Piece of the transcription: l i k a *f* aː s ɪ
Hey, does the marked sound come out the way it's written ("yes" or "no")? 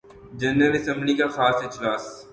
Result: no